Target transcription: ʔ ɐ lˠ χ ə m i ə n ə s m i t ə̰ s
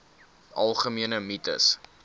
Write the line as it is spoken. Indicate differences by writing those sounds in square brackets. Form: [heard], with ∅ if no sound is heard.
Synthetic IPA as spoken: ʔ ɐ lˠ χ ə m i ə n ə [∅] m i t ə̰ s